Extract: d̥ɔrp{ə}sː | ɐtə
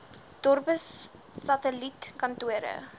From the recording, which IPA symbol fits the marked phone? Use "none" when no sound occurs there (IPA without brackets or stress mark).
ə